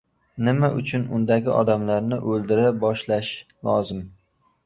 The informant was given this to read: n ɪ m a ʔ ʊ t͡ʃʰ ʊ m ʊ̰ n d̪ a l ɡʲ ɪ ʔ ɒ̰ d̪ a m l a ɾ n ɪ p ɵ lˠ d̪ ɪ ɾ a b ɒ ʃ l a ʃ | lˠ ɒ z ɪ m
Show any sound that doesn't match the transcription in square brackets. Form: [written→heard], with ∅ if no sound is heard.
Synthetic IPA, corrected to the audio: n ɪ m a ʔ ʊ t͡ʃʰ ʊ [m→n] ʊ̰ n d̪ a [l→∅] ɡʲ ɪ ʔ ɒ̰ d̪ a m l a ɾ n ɪ [p→ʔ] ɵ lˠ d̪ ɪ ɾ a b ɒ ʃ l a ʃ | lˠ ɒ z ɪ m